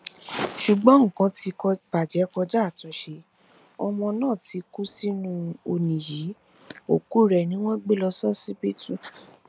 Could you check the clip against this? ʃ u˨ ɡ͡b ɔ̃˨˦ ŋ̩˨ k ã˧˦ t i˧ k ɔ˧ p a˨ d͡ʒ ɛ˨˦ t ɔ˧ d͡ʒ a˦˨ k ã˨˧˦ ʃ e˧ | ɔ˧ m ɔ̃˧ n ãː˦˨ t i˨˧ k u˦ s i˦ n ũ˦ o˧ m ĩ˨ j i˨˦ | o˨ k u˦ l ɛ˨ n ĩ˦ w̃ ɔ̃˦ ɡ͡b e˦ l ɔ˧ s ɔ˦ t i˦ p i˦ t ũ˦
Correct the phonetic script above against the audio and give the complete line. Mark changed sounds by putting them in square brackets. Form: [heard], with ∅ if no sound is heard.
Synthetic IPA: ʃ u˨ ɡ͡b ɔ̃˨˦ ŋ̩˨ k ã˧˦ t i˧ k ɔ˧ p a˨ d͡ʒ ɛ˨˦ [k] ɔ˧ d͡ʒ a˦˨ [t] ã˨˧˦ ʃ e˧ | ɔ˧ m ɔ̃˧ n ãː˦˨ t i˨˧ k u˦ s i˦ n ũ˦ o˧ [n] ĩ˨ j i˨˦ | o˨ k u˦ [ɾ] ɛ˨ n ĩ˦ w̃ ɔ̃˦ ɡ͡b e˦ l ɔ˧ s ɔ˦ [s] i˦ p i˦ t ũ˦